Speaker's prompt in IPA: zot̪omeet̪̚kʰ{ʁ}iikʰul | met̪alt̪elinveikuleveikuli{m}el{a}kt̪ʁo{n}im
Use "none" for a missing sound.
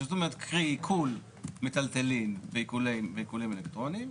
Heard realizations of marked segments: ʁ, m, e, n

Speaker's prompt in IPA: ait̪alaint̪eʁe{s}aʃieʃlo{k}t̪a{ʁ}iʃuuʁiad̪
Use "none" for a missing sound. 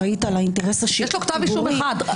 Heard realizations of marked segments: s, k, v

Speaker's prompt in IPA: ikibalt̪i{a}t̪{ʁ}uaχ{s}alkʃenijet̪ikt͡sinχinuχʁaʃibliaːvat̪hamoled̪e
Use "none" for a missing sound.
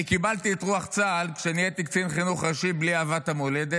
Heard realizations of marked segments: e, ʁ, t͡s

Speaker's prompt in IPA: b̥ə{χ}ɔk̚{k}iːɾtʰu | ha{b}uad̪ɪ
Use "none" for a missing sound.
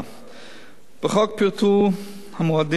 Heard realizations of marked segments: χ, p, m

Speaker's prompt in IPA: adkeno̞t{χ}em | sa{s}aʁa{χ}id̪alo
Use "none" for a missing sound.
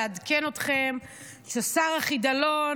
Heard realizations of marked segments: χ, s, χ

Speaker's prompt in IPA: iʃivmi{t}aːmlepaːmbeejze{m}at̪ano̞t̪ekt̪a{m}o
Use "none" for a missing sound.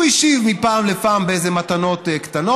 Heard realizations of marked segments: p, m, n

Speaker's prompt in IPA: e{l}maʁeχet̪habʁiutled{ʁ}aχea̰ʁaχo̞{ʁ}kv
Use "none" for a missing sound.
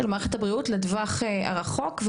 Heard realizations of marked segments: l, v, none

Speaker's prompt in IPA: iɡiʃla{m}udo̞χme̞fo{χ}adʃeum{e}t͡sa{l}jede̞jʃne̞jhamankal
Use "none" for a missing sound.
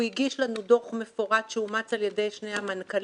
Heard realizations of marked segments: n, ʁ, a, l

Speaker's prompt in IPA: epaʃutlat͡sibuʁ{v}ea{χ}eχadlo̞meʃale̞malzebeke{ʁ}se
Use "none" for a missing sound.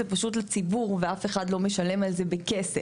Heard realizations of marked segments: v, f, none

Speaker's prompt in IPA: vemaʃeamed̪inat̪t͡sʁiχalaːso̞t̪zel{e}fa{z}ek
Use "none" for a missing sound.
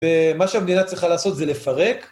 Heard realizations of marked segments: e, ʁ

